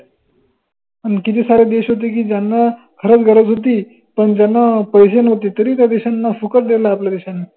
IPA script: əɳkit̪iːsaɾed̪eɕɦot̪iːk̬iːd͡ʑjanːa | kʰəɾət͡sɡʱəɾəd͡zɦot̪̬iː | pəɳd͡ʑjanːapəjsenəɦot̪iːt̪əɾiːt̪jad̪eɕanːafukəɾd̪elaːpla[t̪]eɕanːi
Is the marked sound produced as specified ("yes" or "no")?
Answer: no